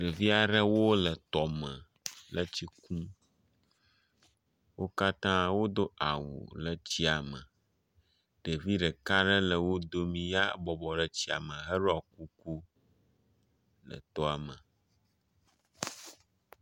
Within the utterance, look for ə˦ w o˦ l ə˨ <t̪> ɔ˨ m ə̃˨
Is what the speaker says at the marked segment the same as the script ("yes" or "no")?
yes